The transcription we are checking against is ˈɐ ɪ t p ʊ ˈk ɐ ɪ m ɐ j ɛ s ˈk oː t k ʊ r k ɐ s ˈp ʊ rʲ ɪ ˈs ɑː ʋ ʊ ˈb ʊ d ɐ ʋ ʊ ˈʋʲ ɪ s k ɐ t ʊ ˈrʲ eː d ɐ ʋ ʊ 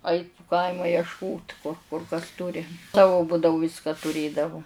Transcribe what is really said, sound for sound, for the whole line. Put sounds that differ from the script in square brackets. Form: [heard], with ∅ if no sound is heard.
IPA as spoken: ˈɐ ɪ t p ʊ ˈk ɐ ɪ m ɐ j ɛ [ʃ] ˈk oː t k ʊ r k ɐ s [ˈt] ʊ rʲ ɪ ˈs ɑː ʋ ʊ ˈb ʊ d ɐ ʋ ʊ ˈʋʲ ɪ s k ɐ t ʊ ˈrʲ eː d ɐ ʋ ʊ